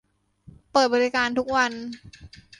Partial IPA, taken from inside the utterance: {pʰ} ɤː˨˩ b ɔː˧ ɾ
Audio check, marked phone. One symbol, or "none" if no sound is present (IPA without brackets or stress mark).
p